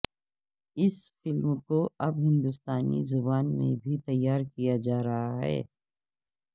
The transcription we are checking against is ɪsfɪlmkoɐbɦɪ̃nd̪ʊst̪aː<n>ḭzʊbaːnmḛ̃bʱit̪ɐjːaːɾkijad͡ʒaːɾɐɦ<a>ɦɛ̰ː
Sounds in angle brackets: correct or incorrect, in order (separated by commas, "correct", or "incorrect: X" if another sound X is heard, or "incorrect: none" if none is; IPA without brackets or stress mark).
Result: correct, correct